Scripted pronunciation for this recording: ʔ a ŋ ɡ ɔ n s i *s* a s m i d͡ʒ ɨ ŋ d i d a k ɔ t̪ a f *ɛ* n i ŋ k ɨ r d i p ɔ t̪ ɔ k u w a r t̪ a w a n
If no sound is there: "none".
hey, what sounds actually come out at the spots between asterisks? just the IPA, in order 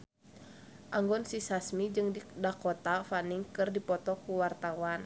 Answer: s, a

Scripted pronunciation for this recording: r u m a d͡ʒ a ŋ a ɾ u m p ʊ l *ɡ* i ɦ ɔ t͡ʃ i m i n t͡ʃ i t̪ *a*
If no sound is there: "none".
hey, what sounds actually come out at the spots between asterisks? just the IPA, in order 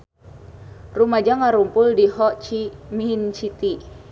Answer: d, i

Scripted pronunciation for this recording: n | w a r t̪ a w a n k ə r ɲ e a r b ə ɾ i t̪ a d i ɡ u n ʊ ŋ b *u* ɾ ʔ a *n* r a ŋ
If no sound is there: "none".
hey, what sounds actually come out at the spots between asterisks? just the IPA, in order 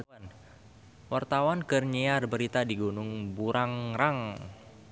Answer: u, ŋ

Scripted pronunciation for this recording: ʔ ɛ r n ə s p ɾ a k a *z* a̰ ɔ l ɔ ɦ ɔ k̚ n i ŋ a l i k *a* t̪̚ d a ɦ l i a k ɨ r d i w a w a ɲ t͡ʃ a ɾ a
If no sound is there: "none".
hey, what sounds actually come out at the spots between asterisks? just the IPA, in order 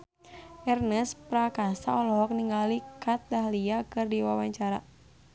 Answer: s, a

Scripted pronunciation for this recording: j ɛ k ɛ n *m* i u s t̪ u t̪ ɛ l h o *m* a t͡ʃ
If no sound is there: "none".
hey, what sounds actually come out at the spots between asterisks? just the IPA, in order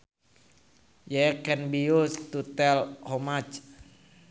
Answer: b, m

